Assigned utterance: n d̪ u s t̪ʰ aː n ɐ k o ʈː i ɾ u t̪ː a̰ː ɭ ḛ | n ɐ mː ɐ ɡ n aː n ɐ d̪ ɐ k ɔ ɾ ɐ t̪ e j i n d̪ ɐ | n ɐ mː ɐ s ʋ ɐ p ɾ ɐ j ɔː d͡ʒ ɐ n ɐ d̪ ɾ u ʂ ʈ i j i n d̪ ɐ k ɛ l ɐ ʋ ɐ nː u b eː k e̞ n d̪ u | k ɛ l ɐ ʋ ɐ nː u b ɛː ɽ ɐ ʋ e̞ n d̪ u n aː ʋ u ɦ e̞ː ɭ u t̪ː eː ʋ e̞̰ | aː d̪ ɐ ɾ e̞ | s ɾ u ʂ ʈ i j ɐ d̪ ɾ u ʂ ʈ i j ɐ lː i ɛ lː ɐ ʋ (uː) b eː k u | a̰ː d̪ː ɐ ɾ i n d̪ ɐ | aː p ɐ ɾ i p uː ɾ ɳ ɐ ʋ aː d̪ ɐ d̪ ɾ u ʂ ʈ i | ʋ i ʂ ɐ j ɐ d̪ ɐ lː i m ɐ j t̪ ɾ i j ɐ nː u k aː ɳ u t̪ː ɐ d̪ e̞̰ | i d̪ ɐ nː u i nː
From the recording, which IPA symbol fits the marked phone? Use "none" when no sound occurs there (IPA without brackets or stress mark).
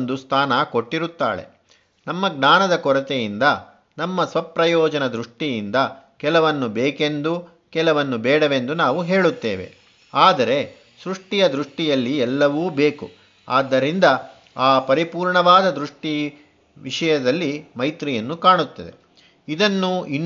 uː